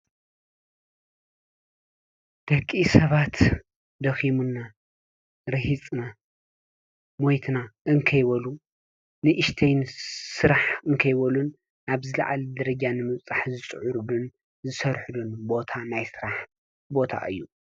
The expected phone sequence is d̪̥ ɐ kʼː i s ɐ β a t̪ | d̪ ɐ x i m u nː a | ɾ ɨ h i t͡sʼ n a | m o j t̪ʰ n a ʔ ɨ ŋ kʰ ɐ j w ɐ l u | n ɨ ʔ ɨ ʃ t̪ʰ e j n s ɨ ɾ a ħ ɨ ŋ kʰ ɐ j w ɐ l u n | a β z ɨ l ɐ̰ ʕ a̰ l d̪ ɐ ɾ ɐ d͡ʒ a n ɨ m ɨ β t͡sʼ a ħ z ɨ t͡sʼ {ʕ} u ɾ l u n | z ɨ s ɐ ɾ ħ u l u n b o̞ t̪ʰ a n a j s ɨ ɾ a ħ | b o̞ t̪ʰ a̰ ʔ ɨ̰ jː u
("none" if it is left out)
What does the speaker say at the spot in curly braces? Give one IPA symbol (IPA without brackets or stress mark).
ʕ